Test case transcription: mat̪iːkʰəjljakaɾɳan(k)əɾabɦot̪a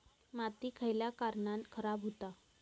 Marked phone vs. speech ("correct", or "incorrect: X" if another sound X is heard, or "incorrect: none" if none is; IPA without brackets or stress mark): incorrect: kʰ